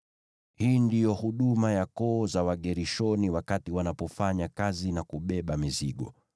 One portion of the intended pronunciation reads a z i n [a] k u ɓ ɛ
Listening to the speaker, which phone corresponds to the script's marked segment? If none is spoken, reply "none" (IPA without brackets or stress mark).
a